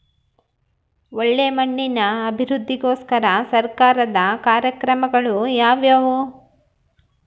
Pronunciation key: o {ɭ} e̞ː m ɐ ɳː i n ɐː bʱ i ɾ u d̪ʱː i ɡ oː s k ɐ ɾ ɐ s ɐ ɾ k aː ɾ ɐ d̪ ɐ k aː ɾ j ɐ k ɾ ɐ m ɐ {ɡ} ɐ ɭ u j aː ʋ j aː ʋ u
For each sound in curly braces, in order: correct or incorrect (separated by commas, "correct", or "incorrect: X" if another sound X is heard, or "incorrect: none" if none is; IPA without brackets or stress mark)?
incorrect: ɭː, correct